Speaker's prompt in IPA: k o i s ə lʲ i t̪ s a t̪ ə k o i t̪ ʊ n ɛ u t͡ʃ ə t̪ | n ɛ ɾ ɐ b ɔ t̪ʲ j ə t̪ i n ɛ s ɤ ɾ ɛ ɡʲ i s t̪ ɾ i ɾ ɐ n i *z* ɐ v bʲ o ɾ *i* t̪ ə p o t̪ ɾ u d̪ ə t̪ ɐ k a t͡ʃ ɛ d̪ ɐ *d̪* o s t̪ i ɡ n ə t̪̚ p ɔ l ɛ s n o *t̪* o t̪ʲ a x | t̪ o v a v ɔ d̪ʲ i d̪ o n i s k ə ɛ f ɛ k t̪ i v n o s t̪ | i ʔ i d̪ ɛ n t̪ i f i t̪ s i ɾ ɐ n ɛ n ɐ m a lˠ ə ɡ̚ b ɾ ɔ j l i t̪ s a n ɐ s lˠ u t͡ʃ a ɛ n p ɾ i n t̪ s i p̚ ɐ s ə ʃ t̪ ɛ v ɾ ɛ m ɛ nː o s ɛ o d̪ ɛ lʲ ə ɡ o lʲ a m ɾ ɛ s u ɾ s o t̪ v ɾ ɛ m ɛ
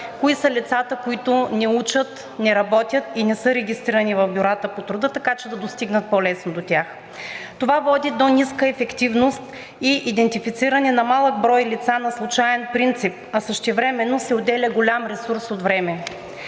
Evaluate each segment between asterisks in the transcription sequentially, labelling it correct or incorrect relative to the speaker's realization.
incorrect: v, incorrect: a, correct, incorrect: d̪

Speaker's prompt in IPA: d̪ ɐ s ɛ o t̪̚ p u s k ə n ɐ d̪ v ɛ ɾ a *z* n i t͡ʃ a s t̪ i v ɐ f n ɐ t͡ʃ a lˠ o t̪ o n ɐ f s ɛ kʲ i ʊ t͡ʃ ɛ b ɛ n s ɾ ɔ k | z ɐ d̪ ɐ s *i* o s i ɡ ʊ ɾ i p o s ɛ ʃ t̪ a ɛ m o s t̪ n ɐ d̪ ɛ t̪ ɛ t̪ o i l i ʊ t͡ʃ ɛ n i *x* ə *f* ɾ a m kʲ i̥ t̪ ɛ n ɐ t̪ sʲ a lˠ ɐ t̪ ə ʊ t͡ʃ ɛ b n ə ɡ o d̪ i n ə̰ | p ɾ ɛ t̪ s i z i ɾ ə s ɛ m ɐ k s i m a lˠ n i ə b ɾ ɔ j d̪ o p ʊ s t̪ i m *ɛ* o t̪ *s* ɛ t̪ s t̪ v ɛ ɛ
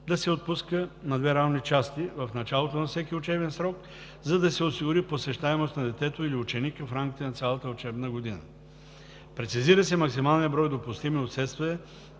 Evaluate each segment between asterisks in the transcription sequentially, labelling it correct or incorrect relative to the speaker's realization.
incorrect: v, incorrect: ɛ, incorrect: k, correct, incorrect: i, correct

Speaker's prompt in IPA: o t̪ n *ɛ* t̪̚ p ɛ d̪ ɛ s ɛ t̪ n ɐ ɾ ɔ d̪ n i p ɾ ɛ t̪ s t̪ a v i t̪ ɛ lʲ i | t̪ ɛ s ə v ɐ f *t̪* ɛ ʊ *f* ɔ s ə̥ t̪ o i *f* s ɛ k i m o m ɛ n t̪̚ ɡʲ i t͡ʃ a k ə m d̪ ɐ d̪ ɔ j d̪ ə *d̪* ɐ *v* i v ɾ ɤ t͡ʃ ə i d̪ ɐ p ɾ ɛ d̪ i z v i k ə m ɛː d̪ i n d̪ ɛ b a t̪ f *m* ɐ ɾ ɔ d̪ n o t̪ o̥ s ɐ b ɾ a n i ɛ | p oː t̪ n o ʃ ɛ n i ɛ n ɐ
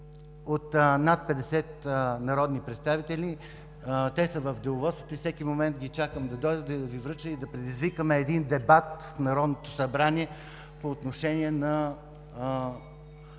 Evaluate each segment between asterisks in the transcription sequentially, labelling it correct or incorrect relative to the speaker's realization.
incorrect: a, incorrect: d̪, incorrect: v, correct, correct, correct, incorrect: n

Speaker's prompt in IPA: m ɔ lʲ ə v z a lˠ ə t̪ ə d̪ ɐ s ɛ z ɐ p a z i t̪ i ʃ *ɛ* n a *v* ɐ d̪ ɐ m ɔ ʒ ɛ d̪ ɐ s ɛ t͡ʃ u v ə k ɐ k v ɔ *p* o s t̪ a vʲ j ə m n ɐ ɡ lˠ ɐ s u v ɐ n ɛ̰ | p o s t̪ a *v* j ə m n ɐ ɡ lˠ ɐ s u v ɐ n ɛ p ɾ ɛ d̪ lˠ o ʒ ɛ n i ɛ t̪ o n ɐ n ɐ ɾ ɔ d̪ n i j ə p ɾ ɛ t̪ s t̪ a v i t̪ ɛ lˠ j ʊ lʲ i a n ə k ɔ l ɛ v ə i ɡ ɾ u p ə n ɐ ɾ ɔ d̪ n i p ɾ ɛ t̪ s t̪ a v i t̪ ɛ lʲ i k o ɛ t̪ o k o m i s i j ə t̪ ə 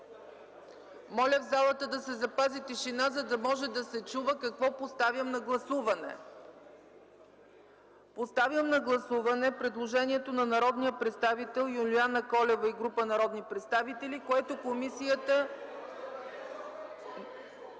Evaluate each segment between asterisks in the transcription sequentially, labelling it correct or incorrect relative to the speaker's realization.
incorrect: i, incorrect: z, correct, correct

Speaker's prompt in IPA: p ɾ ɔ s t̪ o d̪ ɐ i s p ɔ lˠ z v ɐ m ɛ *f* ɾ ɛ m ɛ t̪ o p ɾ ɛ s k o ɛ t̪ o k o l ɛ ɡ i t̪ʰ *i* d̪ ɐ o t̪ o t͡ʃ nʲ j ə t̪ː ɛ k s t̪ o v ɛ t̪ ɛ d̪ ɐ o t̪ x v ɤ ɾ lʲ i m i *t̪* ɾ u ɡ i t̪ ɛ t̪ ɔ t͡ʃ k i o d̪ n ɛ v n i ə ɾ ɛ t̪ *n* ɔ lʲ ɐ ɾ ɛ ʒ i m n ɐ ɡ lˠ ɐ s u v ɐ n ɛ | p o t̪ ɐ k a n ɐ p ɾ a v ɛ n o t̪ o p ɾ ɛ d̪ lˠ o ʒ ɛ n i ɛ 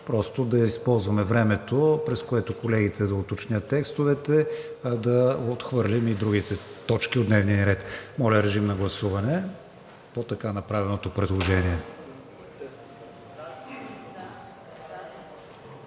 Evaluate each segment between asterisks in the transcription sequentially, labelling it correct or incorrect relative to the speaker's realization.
incorrect: v, incorrect: ɛ, incorrect: d̪, incorrect: m

